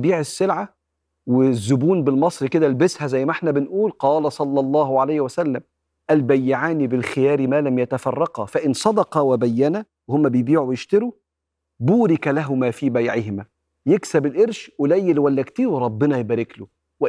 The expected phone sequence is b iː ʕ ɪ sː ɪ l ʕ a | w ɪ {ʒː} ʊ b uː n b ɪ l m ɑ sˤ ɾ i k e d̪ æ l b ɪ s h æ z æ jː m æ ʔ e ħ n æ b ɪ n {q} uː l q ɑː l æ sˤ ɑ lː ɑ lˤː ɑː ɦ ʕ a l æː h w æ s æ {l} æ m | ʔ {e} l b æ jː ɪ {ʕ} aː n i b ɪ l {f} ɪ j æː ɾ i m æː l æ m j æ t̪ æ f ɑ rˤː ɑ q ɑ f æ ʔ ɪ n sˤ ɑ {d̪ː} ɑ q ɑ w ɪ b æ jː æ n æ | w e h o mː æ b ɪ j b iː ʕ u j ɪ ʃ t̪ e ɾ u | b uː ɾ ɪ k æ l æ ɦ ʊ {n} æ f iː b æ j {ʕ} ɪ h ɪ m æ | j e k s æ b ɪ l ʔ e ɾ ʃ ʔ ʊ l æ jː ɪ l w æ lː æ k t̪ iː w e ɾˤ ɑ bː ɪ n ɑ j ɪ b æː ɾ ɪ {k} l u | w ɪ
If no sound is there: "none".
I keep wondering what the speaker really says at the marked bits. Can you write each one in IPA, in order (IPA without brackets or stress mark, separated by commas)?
zː, ʔ, lː, æ, ʕ, x, d̪, m, ʕ, k